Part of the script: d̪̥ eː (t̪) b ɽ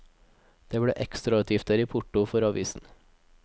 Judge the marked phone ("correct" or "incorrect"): incorrect